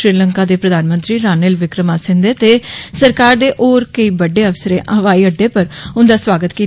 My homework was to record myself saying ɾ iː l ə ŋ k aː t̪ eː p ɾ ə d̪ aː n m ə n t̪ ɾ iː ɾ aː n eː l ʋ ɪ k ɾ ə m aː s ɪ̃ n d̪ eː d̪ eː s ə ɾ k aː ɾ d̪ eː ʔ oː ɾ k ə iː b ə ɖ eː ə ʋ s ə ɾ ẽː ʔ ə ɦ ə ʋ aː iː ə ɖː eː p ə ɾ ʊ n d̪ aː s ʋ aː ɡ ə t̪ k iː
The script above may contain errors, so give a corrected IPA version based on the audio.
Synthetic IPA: ɾ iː l ə ŋ k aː d̪ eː p ɾ ə d̪ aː n m ə n t̪ ɾ iː ɾ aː n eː l ʋ ɪ k ɾ ə m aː s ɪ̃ n d̪ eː t̪ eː s ə ɾ k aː ɾ d̪ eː ʔ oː ɾ k ə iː b ə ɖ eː ə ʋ s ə ɾ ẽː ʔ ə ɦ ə ʋ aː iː ə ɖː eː p ə ɾ ʊ n d̪ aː s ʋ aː ɡ ə t̪ k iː